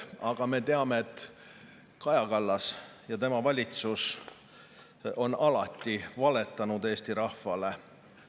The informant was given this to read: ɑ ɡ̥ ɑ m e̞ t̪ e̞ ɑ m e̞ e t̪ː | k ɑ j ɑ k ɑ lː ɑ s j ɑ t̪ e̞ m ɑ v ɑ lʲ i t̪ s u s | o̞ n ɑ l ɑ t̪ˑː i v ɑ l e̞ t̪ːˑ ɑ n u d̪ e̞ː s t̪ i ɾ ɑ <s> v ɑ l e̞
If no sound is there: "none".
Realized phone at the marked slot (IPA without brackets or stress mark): h